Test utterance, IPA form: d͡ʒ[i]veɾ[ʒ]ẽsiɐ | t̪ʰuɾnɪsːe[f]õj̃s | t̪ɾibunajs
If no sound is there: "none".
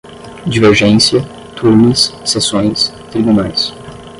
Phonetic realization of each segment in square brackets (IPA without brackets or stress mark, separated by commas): i, ʒ, s